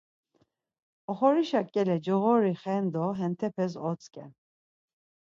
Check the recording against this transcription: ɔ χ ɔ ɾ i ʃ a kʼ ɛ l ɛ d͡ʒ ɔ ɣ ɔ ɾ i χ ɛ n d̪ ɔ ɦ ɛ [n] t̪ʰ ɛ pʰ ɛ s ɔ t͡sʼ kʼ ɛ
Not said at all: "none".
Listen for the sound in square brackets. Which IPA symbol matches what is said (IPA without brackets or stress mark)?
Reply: n